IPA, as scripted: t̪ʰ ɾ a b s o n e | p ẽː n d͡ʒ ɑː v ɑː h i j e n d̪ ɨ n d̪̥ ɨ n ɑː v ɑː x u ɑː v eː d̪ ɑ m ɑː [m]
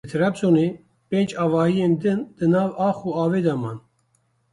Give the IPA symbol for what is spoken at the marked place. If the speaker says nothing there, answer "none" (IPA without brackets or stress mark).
n